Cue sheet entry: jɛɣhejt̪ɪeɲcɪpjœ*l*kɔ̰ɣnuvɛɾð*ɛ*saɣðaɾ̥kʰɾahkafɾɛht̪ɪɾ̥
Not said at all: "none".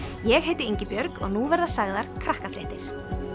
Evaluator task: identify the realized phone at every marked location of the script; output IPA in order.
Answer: ɾ, a

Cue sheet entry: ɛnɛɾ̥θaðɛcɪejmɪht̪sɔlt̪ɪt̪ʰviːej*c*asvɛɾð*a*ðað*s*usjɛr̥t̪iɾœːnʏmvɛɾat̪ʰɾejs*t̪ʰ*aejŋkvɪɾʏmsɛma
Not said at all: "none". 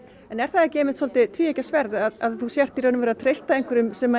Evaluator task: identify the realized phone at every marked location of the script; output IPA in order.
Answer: c, a, θ, t̪

